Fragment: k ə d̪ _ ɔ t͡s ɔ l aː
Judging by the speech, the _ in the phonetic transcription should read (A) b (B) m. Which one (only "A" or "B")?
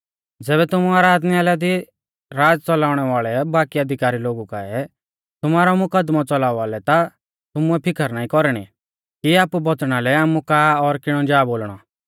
B